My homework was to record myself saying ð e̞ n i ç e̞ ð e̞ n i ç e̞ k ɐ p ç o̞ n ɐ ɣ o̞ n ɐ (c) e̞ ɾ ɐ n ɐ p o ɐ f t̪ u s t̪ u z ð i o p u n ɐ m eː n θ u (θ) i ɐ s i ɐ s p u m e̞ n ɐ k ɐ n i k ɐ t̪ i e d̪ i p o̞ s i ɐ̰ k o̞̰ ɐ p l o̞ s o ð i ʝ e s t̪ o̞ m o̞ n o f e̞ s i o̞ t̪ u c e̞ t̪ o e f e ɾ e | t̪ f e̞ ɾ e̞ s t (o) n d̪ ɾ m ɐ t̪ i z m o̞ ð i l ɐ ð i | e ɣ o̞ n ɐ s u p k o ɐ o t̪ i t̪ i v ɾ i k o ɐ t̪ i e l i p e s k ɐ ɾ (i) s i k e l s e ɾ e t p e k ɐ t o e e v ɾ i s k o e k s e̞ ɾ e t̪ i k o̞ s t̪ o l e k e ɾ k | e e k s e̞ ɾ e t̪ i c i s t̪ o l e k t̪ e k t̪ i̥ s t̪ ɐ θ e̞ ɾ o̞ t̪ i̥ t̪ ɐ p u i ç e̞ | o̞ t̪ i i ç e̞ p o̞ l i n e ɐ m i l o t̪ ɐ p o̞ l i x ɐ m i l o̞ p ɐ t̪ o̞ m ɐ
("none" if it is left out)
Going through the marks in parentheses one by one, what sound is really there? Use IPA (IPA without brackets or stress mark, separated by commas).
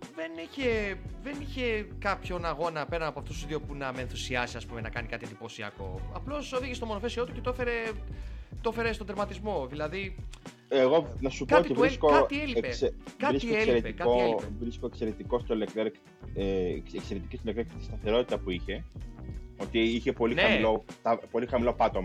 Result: p, s, o, i